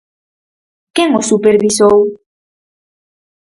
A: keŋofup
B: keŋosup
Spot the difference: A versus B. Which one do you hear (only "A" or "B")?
B